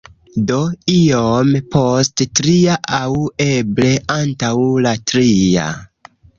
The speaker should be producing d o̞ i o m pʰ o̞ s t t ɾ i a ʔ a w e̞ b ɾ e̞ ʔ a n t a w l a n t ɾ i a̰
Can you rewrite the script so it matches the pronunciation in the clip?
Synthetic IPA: d o̞ i o m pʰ o̞ s t t ɾ i a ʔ a w e̞ b l e̞ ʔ a n t a w l a t ɾ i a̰